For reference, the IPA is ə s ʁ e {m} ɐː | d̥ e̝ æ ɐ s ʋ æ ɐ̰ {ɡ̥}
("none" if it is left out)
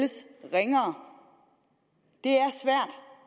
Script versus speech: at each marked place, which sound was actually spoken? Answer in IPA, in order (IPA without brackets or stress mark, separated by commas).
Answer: ŋ, d̥